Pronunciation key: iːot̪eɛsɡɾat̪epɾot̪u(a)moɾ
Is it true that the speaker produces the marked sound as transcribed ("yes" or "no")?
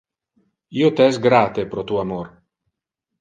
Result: yes